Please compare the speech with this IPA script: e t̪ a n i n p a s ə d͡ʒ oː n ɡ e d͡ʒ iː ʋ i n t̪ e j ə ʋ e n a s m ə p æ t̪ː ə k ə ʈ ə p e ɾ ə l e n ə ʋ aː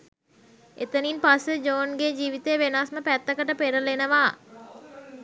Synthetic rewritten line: e t̪ ə n i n p a s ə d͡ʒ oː n ɡ e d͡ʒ iː ʋ i t̪ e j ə ʋ e n a s m ə p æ t̪ː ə k ə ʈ ə p e ɾ ə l e n ə ʋ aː

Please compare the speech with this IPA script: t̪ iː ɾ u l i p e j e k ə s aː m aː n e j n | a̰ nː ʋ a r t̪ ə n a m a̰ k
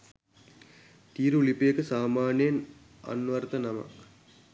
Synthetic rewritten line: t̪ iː ɾ u l i p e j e k ə s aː m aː n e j n | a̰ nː ʋ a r t̪ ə n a m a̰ k

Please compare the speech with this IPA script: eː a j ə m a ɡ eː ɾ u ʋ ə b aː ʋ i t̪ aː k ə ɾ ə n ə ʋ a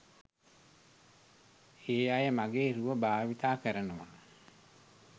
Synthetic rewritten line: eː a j ə m a ɡ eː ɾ u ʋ ə b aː ʋ i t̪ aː k ə ɾ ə n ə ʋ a

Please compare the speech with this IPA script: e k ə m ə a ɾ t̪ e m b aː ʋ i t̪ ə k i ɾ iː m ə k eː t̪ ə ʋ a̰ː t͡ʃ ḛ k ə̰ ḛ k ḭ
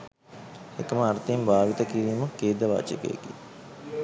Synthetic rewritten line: e k ə m ə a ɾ t̪ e m b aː ʋ i t̪ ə k i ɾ iː m ə k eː d̪ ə ʋ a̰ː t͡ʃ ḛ k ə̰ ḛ k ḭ

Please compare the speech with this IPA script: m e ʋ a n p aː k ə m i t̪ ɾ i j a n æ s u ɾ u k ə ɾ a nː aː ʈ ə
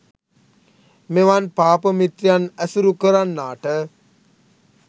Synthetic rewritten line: m e ʋ a n p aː p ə m i t̪ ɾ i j a n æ s u ɾ u k ə ɾ a nː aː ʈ ə

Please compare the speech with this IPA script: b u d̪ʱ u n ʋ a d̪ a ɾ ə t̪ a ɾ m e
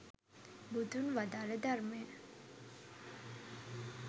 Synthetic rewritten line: b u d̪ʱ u n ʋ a d̪ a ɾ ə d̪ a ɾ m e

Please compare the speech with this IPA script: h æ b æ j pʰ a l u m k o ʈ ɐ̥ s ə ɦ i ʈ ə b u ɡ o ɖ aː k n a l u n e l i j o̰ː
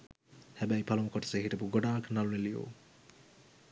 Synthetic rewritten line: h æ b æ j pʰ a l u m k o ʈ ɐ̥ s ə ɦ i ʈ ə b u ɡ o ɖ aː k n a l u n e l i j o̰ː

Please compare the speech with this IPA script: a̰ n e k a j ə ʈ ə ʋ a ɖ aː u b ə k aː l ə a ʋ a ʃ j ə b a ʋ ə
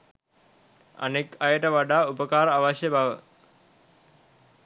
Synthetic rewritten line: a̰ n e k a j ə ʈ ə ʋ a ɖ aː u p ə k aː ɾ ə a ʋ a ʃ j ə b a ʋ ə

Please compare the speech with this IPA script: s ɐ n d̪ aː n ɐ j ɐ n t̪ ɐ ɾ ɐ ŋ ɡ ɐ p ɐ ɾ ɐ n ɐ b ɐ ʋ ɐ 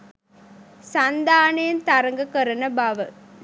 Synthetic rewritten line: s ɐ n d̪ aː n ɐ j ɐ n t̪ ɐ ɾ ɐ ŋ ɡ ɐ k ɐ ɾ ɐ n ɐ b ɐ ʋ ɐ

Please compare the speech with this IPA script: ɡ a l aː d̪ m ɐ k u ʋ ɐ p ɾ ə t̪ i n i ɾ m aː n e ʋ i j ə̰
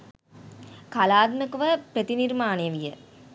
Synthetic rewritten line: k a l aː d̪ m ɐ k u ʋ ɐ p ɾ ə t̪ i n i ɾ m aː n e ʋ i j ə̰

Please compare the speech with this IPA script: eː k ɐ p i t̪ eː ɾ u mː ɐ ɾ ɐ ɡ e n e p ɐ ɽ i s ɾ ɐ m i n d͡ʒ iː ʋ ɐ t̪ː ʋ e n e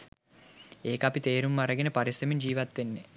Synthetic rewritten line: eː k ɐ p i t̪ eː ɾ u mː ɐ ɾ ɐ ɡ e n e p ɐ ɾ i s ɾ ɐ m i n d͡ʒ iː ʋ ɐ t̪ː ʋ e nː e

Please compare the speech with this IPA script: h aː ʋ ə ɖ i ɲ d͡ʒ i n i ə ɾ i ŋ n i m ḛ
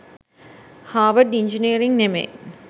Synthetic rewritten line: h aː ʋ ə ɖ i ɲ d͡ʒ i n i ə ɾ i ŋ n e m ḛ

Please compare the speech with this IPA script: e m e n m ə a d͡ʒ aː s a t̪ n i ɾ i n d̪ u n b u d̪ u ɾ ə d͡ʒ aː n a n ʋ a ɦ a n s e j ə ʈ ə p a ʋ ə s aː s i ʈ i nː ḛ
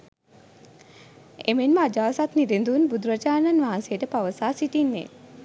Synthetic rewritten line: e m e n m ə a d͡ʒ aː s a t̪ n i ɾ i n d̪ u n b u d̪ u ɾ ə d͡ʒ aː n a n ʋ a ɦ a n s e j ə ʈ ə p a ʋ ə s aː s i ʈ i nː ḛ

